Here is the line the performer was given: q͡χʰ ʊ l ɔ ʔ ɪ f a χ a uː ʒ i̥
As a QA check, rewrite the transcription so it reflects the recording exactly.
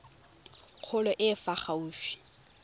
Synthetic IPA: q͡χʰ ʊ l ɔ ʔ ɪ f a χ a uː ʃ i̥

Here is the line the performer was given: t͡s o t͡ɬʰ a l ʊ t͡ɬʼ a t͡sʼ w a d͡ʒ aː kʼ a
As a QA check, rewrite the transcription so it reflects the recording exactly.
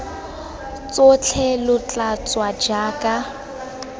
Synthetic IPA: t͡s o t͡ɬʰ ɛ l ʊ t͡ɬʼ a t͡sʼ w a d͡ʒ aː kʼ a

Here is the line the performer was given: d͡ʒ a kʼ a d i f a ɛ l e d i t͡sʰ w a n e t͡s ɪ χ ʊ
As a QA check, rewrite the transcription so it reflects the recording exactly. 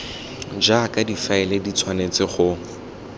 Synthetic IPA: d͡ʒ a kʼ a d i f a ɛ l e d i t͡sʰ w a n e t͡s ɪ χ ʊ

